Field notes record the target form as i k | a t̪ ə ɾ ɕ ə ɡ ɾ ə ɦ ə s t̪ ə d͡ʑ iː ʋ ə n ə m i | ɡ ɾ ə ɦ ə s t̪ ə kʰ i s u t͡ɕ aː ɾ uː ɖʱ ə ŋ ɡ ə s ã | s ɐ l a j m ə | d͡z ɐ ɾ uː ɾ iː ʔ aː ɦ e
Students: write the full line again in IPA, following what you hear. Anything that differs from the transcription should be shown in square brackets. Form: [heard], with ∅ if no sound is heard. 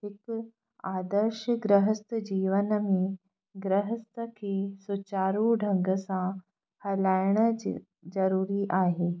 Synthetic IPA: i k | a [d̪] ə ɾ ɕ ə ɡ ɾ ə ɦ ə s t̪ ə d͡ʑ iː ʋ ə n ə m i | ɡ ɾ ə ɦ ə s t̪ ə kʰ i s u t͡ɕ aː ɾ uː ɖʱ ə ŋ ɡ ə s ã | [h] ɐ l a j [ɳ] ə | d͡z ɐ ɾ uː ɾ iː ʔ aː ɦ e